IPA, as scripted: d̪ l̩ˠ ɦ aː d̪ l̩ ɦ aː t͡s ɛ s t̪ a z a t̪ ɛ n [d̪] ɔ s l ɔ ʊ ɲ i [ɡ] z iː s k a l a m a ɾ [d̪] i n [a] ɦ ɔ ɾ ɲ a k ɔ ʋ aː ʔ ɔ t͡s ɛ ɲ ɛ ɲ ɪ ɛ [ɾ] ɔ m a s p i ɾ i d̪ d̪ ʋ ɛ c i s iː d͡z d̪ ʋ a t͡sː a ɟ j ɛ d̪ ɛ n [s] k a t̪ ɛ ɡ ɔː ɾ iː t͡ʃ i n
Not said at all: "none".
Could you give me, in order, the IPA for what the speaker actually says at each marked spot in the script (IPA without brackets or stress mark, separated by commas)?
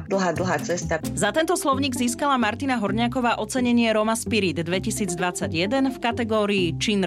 t̪, ɡ, t̪, a, ɾ, f